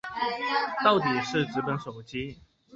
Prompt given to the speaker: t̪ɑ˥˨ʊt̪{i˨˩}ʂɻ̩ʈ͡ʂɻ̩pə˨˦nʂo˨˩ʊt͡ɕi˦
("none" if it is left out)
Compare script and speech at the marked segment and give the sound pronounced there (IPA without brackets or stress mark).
i˨˩